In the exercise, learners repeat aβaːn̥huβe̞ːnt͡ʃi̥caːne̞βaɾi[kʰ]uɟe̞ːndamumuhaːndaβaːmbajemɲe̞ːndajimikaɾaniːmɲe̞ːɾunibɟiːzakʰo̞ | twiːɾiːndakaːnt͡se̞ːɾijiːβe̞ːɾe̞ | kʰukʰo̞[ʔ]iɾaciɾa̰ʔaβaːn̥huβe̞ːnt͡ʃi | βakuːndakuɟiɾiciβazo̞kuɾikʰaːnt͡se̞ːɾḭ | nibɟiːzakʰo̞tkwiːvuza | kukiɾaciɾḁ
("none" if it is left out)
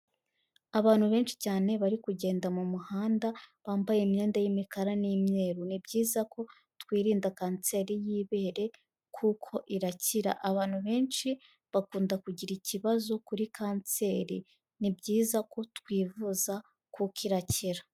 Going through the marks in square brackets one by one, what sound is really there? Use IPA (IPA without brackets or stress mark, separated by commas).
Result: k, ʔ